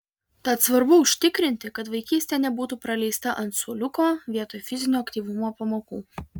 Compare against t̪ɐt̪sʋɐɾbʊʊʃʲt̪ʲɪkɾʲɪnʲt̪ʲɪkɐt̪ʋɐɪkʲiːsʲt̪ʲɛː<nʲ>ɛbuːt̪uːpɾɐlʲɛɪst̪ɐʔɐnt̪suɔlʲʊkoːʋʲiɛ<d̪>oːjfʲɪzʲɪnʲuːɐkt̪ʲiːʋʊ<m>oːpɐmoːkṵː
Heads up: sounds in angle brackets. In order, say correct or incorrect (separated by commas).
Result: correct, incorrect, correct